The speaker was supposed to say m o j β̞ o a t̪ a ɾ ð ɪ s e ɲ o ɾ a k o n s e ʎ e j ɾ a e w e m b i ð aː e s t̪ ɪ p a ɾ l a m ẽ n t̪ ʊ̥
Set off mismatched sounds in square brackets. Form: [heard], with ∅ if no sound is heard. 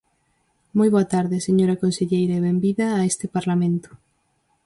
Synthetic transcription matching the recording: m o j β̞ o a t̪ a ɾ ð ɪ s e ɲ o ɾ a k o n s e ʎ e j ɾ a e [β] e m b i ð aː e s t̪ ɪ p a ɾ l a m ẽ n t̪ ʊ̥

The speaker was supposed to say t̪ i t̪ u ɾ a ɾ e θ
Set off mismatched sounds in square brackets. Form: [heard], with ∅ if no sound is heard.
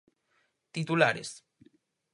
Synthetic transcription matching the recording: t̪ i t̪ u [l] a ɾ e [s]

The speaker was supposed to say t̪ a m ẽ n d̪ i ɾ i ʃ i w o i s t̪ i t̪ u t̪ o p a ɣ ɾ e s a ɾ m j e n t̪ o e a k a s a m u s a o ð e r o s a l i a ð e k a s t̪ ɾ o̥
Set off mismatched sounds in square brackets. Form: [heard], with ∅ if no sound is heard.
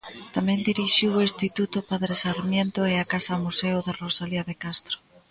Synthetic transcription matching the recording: t̪ a m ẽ n d̪ i ɾ i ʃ i w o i s t̪ i t̪ u t̪ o p a [ð] ɾ e s a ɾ m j e n t̪ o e a k a s a m u s [e] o ð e r o s a l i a ð e k a s t̪ ɾ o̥

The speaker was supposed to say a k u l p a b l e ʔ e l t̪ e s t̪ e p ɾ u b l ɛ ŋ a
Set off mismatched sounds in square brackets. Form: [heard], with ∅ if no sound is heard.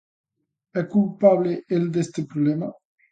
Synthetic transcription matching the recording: [ɛ] k u l p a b l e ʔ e l [d̪] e s t̪ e p ɾ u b l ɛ [m] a

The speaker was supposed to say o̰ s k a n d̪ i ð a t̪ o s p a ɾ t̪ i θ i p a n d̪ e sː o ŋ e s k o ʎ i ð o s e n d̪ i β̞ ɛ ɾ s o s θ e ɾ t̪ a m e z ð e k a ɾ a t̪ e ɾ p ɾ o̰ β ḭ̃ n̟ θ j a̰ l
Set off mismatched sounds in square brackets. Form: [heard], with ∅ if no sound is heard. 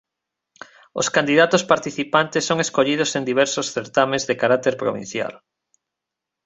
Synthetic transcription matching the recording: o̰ s k a n d̪ i ð a t̪ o s p a ɾ t̪ i θ i p a n [t̪] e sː o ŋ e s k o ʎ i ð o s e n d̪ i β̞ ɛ ɾ s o s θ e ɾ t̪ a m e z ð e k a ɾ a t̪ e ɾ p ɾ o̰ β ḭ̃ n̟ θ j a̰ l

